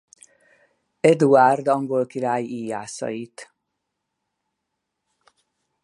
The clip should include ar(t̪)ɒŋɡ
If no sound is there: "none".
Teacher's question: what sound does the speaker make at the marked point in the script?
d̪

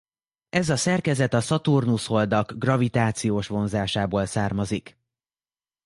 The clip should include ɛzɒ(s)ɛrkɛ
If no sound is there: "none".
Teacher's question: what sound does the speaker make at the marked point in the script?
s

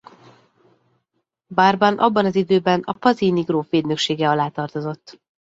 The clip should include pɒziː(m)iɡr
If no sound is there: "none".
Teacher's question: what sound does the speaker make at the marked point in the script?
n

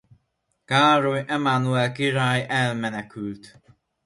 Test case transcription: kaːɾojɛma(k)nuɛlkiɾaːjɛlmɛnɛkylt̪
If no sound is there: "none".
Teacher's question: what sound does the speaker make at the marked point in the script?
none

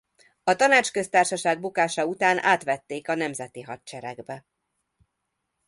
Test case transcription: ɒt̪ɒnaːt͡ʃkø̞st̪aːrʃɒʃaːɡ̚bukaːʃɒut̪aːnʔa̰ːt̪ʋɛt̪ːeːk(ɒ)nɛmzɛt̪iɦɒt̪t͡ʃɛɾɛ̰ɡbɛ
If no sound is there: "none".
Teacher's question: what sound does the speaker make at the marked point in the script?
ɒ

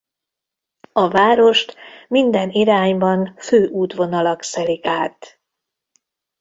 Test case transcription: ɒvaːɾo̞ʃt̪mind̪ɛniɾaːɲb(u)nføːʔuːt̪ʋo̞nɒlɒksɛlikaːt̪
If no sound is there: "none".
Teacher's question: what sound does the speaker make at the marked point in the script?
ɒ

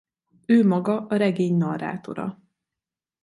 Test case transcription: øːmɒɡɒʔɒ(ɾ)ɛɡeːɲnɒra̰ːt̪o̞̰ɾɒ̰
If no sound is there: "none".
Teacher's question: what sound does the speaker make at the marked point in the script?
ɾ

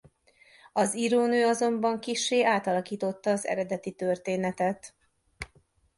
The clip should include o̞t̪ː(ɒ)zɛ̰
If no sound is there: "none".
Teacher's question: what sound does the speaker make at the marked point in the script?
ɒː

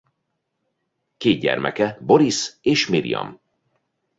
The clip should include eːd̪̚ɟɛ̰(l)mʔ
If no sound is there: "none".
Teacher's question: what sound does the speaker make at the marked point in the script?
r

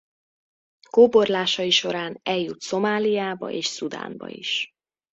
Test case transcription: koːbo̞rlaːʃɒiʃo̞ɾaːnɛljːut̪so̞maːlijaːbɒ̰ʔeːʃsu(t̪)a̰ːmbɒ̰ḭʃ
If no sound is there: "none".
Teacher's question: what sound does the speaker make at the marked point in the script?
d̪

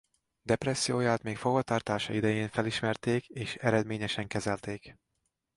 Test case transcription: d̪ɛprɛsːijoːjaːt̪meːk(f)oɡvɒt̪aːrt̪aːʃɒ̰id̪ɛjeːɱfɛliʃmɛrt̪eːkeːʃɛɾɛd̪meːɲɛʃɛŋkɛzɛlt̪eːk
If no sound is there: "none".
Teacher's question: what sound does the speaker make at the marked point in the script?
f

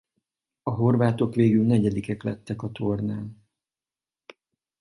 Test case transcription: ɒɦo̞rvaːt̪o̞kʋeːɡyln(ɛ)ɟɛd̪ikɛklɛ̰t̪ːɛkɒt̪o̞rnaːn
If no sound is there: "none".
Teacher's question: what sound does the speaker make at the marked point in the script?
ɛ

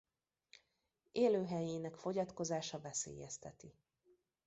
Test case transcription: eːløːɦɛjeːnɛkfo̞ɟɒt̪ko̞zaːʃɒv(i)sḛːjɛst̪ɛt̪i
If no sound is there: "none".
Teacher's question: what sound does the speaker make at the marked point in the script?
ɛ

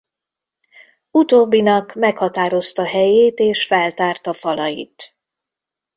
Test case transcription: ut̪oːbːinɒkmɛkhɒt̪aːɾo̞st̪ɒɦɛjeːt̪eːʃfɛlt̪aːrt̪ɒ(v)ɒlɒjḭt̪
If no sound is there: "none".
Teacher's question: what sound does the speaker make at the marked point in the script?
f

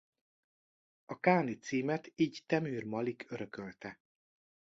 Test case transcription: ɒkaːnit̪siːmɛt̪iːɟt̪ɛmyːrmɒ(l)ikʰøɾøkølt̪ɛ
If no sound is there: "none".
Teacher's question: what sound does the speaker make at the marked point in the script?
l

